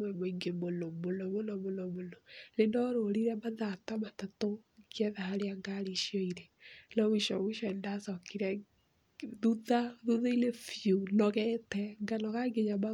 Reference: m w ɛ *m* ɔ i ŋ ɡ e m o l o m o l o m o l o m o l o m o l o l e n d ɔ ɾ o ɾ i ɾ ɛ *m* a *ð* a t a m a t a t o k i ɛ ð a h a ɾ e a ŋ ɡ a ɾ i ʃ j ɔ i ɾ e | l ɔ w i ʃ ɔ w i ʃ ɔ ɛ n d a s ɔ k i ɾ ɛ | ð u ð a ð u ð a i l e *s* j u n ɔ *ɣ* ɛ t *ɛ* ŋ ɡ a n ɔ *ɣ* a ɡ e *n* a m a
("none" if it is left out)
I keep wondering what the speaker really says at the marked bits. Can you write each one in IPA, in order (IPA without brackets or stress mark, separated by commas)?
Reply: m, m, ð, f, ɣ, ɛ, ɣ, ɲ